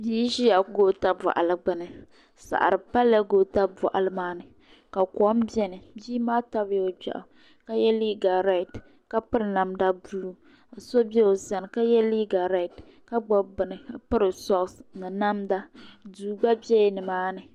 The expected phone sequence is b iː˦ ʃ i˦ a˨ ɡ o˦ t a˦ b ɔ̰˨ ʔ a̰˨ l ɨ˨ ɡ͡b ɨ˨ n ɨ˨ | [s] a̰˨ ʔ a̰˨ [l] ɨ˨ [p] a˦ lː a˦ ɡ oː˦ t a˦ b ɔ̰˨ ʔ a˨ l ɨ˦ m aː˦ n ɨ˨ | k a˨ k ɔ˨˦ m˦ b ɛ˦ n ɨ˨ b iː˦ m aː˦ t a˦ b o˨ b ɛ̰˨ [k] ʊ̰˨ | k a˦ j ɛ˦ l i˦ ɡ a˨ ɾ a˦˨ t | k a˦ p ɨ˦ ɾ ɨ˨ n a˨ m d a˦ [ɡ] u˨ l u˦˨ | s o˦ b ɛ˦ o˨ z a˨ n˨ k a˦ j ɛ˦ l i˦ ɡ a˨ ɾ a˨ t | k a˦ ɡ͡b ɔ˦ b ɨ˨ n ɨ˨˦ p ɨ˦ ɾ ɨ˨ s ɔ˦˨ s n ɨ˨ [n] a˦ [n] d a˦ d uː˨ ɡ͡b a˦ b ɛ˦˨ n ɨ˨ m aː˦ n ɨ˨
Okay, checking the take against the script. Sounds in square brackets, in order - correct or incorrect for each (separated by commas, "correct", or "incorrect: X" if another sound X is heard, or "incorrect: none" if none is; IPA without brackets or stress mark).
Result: correct, incorrect: ɾ, correct, incorrect: ʔ, incorrect: b, correct, incorrect: m